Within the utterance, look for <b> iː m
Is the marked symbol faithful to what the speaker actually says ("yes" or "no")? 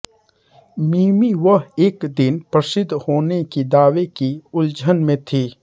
no